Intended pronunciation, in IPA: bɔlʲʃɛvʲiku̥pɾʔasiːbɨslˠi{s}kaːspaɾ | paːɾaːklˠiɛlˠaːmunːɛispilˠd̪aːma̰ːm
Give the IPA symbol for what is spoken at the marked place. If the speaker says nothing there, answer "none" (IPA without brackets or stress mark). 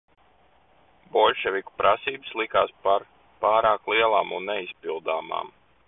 none